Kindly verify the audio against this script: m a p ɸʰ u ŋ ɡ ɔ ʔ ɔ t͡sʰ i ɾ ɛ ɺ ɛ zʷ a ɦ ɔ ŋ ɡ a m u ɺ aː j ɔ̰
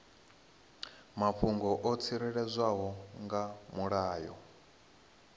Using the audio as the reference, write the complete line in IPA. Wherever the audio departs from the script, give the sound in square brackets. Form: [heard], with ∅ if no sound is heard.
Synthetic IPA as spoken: m a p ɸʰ u ŋ ɡ ɔ ʔ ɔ t͡sʰ i ɾ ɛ ɺ ɛ zʷ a ɦ ɔ ŋ ɡ a m u ɺ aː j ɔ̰